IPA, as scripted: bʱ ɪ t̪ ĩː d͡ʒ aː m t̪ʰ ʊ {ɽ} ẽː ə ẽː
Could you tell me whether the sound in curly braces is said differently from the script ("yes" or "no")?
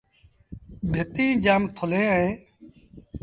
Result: yes